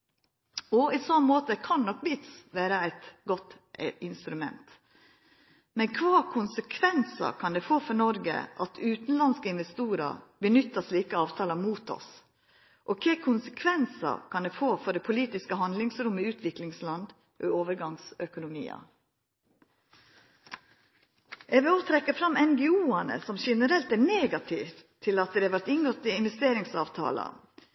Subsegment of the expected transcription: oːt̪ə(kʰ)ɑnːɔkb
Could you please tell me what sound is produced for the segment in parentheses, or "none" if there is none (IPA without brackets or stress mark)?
kʰ